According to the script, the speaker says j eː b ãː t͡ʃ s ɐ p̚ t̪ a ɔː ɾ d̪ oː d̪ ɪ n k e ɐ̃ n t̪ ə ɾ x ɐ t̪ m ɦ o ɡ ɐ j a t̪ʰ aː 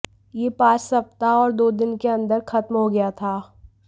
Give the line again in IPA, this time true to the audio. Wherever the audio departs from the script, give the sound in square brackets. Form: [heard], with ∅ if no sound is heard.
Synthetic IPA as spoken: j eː [p] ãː t͡ʃ s ɐ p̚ t̪ a ɔː ɾ d̪ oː d̪ ɪ n k e ɐ̃ n [d̪] ə ɾ x ɐ t̪ m ɦ o ɡ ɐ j a t̪ʰ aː